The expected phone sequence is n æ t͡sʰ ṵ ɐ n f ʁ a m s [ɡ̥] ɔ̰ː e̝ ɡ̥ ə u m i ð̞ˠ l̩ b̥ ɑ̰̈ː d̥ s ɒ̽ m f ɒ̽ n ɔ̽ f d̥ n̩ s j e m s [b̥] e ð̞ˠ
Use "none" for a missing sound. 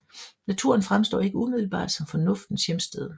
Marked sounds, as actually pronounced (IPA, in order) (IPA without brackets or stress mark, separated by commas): d̥, d̥